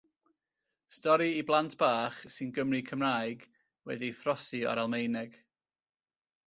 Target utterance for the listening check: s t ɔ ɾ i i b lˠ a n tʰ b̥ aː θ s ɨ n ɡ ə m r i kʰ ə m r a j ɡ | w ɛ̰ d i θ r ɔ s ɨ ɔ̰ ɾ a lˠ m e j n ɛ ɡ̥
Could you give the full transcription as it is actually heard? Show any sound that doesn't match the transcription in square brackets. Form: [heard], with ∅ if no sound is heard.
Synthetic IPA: s t ɔ ɾ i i b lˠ a n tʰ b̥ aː [χ] s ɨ n ɡ ə m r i kʰ ə m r a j ɡ | w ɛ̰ d i θ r ɔ s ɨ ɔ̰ ɾ a lˠ m e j n ɛ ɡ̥